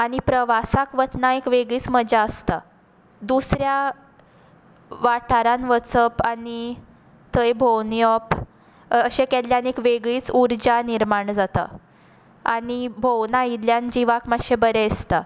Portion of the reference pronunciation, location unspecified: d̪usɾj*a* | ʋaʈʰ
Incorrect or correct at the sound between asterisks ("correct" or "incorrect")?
correct